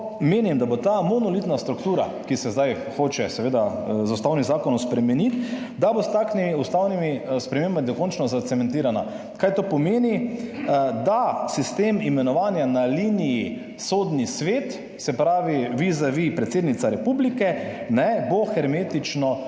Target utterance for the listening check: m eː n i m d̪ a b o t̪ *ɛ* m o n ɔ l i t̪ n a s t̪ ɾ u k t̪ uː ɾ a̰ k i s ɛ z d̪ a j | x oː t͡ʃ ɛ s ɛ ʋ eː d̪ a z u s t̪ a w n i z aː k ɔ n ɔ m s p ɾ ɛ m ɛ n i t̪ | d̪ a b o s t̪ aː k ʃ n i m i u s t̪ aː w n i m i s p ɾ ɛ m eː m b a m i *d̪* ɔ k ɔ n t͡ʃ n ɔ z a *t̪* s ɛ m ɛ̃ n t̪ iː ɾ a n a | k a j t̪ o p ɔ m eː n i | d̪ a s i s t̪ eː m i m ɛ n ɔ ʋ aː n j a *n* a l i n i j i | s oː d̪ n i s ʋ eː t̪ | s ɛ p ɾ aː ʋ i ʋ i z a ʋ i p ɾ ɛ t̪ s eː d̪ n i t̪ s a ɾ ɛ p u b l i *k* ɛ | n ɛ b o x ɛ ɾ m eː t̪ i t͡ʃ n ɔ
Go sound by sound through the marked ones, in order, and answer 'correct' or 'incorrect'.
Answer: incorrect: a, correct, correct, correct, correct

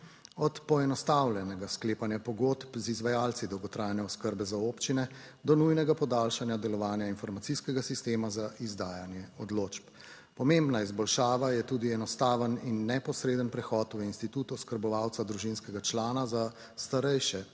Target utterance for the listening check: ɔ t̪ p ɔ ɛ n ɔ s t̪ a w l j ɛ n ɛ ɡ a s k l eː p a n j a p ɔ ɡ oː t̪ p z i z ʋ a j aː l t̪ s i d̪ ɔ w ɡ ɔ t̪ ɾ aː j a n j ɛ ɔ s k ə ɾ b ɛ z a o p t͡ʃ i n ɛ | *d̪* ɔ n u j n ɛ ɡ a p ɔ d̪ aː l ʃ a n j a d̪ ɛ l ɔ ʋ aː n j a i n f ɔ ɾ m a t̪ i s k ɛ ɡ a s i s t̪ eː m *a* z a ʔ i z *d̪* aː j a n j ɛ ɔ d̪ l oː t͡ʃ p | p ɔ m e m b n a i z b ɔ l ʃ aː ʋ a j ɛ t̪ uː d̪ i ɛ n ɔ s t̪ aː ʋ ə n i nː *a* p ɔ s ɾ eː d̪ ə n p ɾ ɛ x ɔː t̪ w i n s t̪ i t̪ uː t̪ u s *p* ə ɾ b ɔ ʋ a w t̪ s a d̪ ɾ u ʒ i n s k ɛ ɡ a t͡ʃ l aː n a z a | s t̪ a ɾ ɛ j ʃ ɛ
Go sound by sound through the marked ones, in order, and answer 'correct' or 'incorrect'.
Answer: correct, correct, correct, incorrect: ɛ, incorrect: k

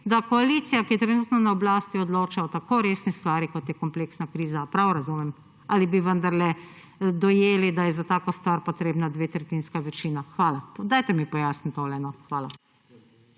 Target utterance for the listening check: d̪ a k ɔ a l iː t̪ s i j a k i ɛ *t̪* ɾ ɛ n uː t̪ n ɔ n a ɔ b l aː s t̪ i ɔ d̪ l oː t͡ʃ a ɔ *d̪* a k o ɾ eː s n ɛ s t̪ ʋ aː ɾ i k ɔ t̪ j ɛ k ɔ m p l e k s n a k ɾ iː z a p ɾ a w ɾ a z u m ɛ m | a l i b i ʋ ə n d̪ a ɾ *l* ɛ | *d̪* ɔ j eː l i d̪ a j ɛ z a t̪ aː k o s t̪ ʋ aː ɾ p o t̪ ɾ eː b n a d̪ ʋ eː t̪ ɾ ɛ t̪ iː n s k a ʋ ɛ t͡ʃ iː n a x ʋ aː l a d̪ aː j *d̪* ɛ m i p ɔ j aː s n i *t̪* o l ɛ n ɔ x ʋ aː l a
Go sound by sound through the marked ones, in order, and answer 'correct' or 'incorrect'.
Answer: correct, incorrect: t̪, correct, correct, incorrect: t̪, correct

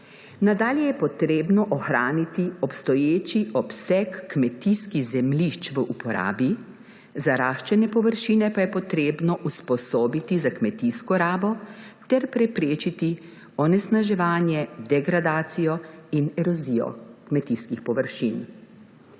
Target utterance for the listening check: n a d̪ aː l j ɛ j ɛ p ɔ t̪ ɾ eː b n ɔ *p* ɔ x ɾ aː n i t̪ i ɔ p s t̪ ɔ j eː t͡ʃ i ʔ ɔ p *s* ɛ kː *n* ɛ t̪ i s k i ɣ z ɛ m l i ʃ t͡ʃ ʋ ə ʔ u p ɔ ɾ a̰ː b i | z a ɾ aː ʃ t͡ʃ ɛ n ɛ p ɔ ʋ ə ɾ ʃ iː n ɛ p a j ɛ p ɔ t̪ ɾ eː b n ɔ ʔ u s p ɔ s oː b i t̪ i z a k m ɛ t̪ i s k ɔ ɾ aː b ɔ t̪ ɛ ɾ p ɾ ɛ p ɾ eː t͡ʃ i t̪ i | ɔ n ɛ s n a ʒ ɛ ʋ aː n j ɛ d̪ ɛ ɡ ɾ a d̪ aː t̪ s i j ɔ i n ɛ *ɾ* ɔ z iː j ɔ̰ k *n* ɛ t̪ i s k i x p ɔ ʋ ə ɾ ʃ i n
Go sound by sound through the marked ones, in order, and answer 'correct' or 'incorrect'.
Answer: incorrect: ʔ, correct, incorrect: m, correct, incorrect: m

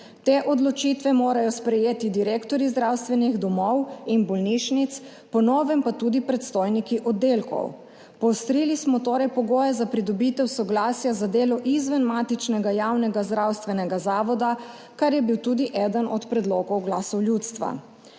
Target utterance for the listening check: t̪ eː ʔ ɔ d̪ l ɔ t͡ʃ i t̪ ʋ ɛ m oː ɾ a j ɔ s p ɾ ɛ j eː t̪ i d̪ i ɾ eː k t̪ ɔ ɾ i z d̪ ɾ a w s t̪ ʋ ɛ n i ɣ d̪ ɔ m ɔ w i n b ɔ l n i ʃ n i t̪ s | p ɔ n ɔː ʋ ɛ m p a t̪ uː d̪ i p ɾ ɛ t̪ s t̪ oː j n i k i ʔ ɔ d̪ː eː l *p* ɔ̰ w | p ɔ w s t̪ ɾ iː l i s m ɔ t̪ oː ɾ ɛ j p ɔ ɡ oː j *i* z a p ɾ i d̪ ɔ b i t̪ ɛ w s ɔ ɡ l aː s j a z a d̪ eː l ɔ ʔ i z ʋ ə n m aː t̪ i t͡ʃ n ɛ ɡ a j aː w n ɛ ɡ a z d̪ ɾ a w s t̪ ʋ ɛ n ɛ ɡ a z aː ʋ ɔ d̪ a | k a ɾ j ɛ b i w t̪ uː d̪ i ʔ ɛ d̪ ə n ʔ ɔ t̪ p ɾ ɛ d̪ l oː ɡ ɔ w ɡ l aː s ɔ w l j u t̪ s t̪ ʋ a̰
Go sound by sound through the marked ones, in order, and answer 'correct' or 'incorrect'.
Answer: incorrect: k, incorrect: ɛ

